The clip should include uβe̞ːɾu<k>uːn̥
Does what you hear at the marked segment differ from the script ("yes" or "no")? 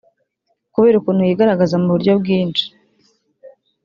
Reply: no